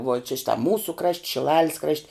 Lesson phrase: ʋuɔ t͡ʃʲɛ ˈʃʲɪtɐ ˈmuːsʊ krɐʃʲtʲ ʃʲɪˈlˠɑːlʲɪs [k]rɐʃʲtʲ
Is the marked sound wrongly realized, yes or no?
no